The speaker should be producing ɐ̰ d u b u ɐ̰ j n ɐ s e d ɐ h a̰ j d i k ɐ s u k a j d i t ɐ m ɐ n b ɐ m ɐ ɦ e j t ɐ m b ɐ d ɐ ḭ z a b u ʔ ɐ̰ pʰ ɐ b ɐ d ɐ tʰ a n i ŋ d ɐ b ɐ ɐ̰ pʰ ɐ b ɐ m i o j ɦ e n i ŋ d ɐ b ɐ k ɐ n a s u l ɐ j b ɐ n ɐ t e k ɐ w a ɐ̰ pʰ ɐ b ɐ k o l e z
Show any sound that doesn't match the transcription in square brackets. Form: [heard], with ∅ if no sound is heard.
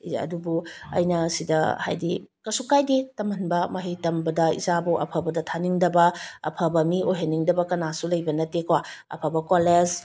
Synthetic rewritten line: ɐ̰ d u b u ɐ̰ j n ɐ s [i] d ɐ h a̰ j d i k ɐ s u k a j d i t ɐ m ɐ n b ɐ m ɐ ɦ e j t ɐ m b ɐ d ɐ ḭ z a b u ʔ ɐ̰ pʰ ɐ b ɐ d ɐ tʰ a n i ŋ d ɐ b ɐ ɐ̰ pʰ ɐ b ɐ m i o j ɦ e n i ŋ d ɐ b ɐ k ɐ n a s u l ɐ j b ɐ n ɐ t e k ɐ w a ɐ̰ pʰ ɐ b ɐ k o l e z